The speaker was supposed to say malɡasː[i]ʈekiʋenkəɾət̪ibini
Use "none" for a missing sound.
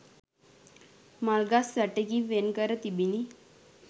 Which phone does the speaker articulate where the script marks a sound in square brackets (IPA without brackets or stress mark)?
a